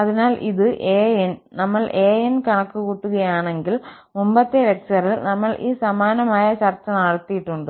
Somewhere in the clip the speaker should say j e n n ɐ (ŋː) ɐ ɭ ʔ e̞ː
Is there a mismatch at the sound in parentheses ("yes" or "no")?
yes